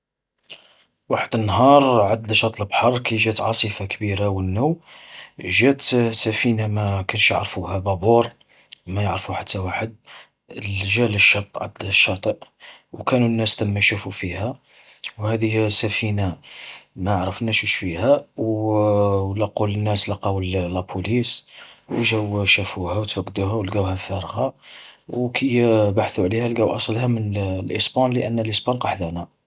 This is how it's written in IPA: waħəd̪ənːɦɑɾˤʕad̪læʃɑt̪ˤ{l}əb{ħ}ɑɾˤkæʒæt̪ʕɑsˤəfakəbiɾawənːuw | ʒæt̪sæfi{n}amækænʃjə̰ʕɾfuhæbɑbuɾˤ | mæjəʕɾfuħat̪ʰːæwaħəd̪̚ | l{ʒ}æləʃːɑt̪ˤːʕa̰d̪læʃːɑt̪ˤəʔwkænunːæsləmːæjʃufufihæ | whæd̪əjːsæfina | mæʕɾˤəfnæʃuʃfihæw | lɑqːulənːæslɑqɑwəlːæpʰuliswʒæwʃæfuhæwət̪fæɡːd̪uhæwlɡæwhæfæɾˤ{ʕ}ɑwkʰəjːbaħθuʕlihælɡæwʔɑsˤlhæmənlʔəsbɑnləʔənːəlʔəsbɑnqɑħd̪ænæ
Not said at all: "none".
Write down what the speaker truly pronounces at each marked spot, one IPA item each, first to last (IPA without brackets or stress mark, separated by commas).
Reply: l, ħ, n, ʒ, ɣ